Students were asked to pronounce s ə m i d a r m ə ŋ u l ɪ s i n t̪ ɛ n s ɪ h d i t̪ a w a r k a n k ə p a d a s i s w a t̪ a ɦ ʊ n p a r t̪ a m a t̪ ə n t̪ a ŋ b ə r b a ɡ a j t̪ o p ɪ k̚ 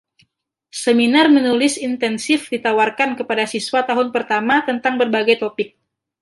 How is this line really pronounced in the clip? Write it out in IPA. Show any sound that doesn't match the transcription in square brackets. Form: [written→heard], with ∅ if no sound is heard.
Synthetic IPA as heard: s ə m i [d→n] a r m ə [ŋ→n] u l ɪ s i n t̪ ɛ n s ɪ [h→f] d i t̪ a w a r k a n k ə p a d a s i s w a t̪ a ɦ ʊ n p [a→ə] r t̪ a m a t̪ ə n t̪ a ŋ b ə r b a ɡ a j t̪ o p ɪ k̚